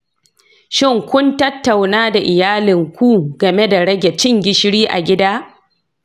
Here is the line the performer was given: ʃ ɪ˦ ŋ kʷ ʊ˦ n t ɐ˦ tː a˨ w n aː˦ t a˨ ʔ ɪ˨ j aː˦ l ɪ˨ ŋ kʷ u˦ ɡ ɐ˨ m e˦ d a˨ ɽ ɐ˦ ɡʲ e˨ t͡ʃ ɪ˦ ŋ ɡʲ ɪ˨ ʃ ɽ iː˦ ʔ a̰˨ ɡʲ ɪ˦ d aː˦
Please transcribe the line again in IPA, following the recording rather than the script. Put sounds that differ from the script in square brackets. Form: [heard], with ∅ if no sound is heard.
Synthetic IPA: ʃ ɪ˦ ŋ kʷ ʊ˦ n t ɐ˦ tː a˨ w n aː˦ [d] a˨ ʔ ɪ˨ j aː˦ l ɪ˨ ŋ kʷ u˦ ɡ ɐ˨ m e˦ d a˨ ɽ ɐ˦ ɡʲ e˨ t͡ʃ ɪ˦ ŋ ɡʲ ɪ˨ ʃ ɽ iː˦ ʔ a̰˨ ɡʲ ɪ˦ d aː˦

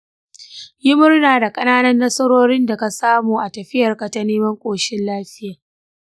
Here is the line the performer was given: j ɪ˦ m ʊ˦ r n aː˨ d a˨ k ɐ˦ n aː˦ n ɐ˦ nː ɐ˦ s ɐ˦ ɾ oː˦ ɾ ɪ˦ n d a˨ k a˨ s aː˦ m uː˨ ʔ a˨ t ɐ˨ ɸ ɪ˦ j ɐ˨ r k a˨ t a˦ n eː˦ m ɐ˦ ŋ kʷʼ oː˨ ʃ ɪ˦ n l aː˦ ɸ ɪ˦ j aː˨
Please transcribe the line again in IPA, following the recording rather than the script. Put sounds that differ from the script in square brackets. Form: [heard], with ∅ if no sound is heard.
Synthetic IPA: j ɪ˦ m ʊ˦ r n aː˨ d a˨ [kʼ] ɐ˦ n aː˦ n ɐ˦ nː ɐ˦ s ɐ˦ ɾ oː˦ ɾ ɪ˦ n d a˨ k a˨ s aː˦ m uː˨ ʔ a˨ t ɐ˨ ɸ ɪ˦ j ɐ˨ r k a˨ t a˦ n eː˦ m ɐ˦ ŋ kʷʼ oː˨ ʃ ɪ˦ n l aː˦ ɸ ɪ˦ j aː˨

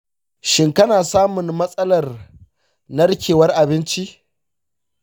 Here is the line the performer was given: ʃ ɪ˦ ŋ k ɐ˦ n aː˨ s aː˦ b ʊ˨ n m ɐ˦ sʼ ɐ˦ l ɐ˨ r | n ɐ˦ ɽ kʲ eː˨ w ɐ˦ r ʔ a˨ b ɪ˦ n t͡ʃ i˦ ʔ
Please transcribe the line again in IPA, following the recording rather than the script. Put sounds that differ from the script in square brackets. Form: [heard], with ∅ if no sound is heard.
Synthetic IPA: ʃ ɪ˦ ŋ k ɐ˦ n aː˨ s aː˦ [m] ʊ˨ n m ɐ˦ sʼ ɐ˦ l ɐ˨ r | n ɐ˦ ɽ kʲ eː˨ w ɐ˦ r ʔ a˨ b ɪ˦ n t͡ʃ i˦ ʔ

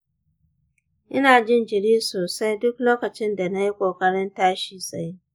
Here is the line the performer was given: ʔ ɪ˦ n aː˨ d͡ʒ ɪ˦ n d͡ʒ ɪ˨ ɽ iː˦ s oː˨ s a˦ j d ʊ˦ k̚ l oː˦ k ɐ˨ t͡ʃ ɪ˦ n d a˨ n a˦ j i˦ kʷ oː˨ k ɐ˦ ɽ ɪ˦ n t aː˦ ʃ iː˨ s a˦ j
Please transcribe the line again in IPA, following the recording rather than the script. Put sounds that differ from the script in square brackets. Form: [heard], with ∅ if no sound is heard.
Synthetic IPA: ʔ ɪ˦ n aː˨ d͡ʒ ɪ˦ n d͡ʒ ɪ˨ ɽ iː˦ s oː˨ s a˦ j d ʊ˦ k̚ l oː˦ k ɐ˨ t͡ʃ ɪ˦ n d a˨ n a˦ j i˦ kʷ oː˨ k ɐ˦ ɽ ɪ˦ n t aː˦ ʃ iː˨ s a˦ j

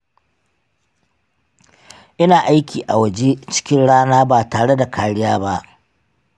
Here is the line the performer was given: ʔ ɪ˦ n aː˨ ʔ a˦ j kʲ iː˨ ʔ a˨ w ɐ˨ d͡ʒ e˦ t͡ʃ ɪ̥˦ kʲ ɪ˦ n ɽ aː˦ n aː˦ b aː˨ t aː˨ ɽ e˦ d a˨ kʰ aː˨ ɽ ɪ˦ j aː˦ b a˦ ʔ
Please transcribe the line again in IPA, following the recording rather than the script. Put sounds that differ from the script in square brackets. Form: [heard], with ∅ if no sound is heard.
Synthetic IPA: ʔ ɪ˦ n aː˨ ʔ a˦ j kʲ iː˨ ʔ a˨ w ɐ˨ d͡ʒ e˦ t͡ʃ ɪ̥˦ kʲ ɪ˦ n ɽ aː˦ n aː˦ b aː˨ t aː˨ ɽ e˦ d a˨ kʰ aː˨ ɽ ɪ˦ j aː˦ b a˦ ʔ

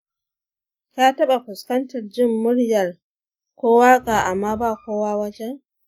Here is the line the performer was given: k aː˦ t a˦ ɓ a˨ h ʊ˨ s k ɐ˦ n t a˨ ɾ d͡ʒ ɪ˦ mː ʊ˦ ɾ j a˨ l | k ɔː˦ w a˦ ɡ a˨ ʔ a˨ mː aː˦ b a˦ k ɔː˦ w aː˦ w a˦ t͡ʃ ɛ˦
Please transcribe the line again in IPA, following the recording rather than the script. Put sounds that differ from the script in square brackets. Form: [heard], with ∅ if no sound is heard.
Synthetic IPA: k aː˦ t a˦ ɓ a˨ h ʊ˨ s k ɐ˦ n t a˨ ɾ d͡ʒ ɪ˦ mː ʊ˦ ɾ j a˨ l | k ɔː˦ w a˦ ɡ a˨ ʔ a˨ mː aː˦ b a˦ k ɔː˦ w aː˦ w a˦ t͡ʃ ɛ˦

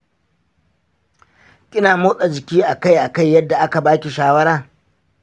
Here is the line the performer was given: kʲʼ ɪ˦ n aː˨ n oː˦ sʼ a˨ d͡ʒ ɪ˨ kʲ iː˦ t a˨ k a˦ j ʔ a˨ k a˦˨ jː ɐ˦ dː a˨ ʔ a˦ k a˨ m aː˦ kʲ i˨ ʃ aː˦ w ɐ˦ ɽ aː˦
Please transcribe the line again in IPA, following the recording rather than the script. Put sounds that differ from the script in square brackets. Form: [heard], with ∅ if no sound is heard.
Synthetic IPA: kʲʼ ɪ˦ n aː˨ [m] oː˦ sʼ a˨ d͡ʒ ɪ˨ kʲ iː˦ [ʔ] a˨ k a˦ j ʔ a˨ k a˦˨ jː ɐ˦ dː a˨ ʔ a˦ k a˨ [b] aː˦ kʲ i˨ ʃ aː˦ w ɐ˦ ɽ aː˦

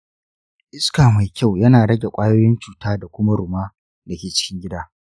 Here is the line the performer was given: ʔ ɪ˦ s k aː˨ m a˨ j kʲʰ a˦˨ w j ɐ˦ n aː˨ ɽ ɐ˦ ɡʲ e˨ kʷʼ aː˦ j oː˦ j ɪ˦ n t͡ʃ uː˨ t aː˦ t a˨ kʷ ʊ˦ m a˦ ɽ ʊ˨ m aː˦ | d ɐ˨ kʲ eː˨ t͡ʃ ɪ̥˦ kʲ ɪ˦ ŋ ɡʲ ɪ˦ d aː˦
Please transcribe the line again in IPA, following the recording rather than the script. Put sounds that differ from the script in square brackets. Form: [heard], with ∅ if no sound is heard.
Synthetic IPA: ʔ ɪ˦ s k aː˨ m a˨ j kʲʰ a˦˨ w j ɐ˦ n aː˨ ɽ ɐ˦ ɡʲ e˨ kʷʼ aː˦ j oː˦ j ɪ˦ n t͡ʃ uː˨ t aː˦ [d] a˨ kʷ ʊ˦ m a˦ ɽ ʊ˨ m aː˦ | d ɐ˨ kʲ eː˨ t͡ʃ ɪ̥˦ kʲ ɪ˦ ŋ ɡʲ ɪ˦ d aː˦

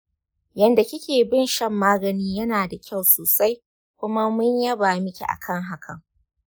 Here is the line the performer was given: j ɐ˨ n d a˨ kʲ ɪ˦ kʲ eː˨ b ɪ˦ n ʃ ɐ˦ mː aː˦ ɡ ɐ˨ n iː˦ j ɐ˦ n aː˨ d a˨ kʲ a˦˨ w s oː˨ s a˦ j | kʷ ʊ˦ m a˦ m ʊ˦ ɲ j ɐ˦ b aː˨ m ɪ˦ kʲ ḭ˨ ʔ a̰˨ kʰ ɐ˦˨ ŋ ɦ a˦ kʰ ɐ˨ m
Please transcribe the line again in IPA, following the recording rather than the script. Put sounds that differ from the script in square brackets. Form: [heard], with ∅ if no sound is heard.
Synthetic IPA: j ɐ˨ n d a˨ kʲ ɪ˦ kʲ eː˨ b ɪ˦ n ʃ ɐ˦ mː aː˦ ɡ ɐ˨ n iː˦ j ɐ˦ n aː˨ d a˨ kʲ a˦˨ w s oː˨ s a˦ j | kʷ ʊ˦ m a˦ m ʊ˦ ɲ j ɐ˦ b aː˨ m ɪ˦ kʲ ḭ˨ ʔ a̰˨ kʰ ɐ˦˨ ŋ ɦ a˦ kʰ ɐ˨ [ŋ]

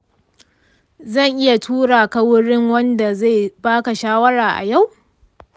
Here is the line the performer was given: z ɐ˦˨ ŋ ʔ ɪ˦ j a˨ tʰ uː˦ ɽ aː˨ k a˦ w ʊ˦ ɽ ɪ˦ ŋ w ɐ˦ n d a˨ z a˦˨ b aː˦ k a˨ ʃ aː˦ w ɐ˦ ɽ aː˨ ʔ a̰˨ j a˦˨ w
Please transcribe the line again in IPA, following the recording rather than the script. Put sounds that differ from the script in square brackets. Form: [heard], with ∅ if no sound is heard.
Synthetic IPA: z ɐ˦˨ ŋ ʔ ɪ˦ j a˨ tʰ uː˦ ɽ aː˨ k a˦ w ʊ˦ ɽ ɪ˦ ŋ w ɐ˦ n d a˨ z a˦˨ b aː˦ k a˨ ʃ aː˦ w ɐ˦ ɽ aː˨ ʔ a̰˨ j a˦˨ w

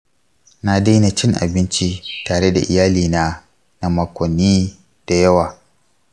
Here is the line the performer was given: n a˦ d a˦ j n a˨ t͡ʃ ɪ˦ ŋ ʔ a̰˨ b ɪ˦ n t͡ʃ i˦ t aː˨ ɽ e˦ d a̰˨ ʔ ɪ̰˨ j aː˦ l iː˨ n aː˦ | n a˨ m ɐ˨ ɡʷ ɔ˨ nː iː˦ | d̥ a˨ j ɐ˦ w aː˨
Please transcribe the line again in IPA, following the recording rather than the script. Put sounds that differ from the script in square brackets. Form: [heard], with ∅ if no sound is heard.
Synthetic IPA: n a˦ d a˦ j n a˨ t͡ʃ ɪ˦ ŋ ʔ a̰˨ b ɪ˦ n t͡ʃ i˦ t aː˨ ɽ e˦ d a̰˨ ʔ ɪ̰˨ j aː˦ l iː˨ n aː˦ | n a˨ m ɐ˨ [kʷ] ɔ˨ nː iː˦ | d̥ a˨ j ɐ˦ w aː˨

